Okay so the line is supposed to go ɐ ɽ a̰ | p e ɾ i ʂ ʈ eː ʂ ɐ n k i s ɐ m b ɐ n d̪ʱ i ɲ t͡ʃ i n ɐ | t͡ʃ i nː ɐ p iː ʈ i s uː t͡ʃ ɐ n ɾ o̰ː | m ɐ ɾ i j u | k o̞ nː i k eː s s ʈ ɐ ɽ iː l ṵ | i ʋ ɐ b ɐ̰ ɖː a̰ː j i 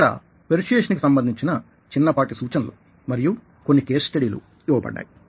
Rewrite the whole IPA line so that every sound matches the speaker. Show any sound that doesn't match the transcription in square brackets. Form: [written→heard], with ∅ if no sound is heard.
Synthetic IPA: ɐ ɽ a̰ | p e ɾ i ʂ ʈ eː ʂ ɐ n k i s ɐ m b ɐ n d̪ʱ i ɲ t͡ʃ i n ɐ | t͡ʃ i nː ɐ p [iː→aː] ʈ i s uː t͡ʃ ɐ n [ɾ→l] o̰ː | m ɐ ɾ i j u | k o̞ nː i k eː s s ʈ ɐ ɽ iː l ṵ | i ʋ ɐ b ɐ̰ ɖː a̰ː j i

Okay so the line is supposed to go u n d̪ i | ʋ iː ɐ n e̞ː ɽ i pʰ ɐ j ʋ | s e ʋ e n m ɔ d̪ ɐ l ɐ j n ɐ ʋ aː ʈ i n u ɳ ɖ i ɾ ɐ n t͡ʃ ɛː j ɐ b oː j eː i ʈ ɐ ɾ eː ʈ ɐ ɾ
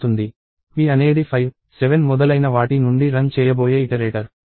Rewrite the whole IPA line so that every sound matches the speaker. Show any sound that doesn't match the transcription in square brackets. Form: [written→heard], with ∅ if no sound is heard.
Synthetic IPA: u n d̪ i | ʋ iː ɐ n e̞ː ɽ i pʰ ɐ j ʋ | s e ʋ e n m ɔ d̪ ɐ l ɐ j n ɐ ʋ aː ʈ i n u ɳ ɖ i ɾ ɐ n t͡ʃ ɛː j ɐ b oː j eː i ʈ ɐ ɾ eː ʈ ɐ ɾ

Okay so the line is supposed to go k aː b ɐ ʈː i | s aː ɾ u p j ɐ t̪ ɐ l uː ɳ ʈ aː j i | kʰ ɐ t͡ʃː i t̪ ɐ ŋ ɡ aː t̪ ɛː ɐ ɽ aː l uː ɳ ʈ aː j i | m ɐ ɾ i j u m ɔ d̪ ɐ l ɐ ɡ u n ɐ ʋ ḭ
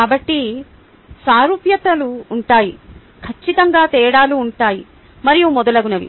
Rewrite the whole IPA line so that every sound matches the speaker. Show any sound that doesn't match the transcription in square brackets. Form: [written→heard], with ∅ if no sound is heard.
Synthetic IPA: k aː b ɐ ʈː i | s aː ɾ u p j ɐ t̪ ɐ l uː ɳ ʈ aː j i | kʰ ɐ t͡ʃː i t̪ ɐ ŋ ɡ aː t̪ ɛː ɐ ɽ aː l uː ɳ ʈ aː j i | m ɐ ɾ i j u m ɔ d̪ ɐ l ɐ ɡ u n ɐ ʋ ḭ

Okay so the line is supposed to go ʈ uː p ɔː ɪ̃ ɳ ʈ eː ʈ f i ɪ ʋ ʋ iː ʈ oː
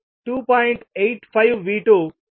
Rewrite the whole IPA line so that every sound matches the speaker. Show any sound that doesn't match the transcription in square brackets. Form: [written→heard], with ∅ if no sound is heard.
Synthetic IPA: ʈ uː p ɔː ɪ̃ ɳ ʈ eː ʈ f [i→a] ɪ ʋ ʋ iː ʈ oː

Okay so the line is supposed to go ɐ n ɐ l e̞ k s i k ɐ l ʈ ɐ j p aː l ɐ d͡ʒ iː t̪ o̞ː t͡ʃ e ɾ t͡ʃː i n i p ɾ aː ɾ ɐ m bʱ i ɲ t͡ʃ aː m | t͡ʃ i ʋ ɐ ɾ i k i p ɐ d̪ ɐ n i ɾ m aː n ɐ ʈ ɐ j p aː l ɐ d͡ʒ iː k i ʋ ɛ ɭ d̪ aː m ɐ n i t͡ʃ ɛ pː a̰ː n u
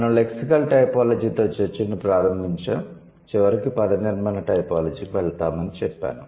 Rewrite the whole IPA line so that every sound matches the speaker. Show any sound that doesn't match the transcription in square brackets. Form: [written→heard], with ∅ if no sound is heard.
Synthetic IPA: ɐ n ɐ l e̞ k s i k ɐ l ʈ ɐ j p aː l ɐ d͡ʒ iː t̪ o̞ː t͡ʃ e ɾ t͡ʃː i n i p ɾ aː ɾ ɐ m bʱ i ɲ t͡ʃ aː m | t͡ʃ i ʋ ɐ ɾ i k i p ɐ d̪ ɐ n i ɾ m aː n ɐ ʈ ɐ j p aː l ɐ d͡ʒ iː k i ʋ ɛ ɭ [d̪→t̪] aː m ɐ n i t͡ʃ ɛ pː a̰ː n u

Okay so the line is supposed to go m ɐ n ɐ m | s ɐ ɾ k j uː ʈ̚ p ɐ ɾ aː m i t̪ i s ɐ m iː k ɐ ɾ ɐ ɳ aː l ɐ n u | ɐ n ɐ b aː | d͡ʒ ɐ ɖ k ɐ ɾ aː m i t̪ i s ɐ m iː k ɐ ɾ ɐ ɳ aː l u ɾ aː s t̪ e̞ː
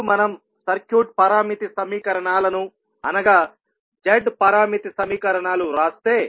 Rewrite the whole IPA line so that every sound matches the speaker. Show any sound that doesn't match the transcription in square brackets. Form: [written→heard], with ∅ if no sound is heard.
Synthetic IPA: m ɐ n ɐ m | s ɐ ɾ k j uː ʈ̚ p ɐ ɾ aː m i t̪ i s ɐ m iː k ɐ ɾ ɐ ɳ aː l ɐ n u | ɐ n ɐ [b→ɡ] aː | d͡ʒ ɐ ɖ [k→p] ɐ ɾ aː m i t̪ i s ɐ m iː k ɐ ɾ ɐ ɳ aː l u ɾ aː s t̪ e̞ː

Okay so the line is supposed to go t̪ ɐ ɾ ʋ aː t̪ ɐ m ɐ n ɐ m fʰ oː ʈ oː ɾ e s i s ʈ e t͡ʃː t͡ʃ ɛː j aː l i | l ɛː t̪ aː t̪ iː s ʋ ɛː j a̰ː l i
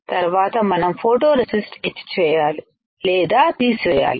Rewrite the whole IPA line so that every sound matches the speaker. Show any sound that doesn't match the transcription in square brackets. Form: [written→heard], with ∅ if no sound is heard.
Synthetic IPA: t̪ ɐ ɾ ʋ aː t̪ ɐ m ɐ n ɐ m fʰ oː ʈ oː ɾ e s i s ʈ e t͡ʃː t͡ʃ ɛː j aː l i | l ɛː [t̪→d̪] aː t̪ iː s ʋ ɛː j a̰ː l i

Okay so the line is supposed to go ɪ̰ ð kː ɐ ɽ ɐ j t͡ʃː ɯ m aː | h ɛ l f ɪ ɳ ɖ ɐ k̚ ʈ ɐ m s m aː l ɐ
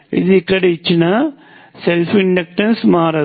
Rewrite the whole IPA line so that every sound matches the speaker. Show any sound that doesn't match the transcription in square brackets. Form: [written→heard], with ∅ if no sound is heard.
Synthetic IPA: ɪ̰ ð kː ɐ ɽ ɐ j t͡ʃː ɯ [m→n] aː | [h→s] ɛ l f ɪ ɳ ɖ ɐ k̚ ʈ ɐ [m→n] s m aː [l→ɾ] ɐ

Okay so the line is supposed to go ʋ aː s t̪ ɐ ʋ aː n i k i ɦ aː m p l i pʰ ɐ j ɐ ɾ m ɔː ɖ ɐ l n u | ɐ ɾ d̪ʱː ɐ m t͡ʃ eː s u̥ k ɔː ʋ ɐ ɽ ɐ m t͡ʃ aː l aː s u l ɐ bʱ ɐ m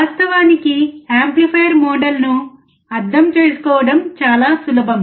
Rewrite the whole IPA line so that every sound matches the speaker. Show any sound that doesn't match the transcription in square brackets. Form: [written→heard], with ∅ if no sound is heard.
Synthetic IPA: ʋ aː s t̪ ɐ ʋ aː n i k i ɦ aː m p l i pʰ ɐ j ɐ ɾ m ɔː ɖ ɐ l n u | ɐ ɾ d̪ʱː ɐ m t͡ʃ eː s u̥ k ɔː ʋ ɐ ɽ ɐ m t͡ʃ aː l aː s u l ɐ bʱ ɐ m

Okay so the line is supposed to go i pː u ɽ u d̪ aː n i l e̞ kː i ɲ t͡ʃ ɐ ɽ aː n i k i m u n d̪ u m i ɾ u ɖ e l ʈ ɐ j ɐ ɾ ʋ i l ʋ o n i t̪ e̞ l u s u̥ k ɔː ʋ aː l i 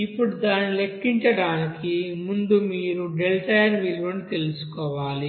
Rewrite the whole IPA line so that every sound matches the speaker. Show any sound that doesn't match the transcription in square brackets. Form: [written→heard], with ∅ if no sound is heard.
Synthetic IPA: i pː u ɽ u d̪ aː n i l e̞ kː i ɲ t͡ʃ ɐ ɽ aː n i k i m u n d̪ u m [i→iː] ɾ u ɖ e l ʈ ɐ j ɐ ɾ ʋ i l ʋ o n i t̪ e̞ l u s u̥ k ɔː ʋ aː l i

